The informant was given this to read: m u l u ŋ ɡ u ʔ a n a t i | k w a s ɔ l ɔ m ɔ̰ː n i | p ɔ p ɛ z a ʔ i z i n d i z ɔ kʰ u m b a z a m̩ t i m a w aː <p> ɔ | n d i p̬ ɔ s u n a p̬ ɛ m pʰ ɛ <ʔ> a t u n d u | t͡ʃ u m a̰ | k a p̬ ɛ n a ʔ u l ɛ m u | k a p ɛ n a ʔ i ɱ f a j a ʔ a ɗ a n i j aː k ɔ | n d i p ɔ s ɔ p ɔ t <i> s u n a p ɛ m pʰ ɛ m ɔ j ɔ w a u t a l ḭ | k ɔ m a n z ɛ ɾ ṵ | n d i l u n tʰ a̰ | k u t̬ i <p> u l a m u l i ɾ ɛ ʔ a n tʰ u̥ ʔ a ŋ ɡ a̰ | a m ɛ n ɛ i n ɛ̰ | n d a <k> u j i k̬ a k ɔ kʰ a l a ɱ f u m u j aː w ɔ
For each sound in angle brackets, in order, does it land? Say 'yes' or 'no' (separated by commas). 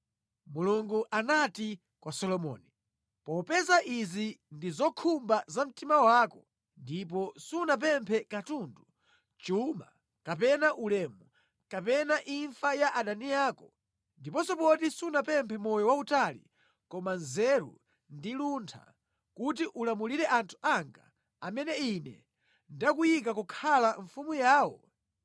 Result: no, no, yes, no, yes